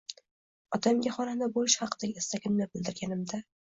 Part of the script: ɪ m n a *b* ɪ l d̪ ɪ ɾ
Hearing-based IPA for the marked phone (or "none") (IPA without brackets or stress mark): b